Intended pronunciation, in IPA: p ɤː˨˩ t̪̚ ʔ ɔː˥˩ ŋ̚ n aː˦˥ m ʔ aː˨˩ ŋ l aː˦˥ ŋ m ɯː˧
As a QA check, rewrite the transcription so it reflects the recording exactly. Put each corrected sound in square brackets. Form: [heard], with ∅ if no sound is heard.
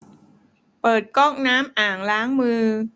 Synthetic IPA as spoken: p ɤː˨˩ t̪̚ [k] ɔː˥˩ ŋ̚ n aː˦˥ m ʔ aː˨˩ ŋ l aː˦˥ ŋ m ɯː˧